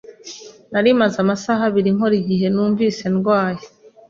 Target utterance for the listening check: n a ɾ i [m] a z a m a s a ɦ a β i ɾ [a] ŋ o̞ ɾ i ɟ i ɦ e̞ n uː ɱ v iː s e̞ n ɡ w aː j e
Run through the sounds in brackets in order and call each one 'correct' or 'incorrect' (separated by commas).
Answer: correct, incorrect